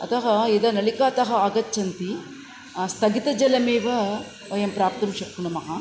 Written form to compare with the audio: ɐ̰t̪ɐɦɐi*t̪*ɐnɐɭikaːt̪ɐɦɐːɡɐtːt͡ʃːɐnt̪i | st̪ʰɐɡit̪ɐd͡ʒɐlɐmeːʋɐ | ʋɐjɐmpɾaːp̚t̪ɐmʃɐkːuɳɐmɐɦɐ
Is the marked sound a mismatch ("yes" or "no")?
yes